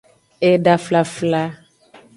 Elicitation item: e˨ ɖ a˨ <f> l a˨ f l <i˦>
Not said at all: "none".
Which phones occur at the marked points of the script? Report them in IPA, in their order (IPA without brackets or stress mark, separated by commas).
f, a˦